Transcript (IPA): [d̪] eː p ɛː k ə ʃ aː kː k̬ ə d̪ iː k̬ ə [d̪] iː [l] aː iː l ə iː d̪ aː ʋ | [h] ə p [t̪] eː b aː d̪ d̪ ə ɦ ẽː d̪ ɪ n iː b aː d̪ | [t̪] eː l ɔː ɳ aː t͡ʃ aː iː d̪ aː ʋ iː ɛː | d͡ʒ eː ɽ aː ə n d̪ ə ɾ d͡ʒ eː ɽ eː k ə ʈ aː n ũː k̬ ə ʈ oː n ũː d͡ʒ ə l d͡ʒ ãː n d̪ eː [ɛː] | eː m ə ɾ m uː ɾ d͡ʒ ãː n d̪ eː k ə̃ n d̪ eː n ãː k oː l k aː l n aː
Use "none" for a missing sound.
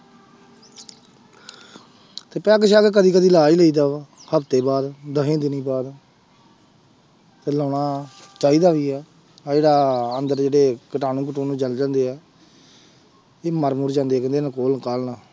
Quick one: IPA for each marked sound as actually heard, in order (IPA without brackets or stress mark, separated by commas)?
t̪, d̪, l, h, t̪, t̪, ɛː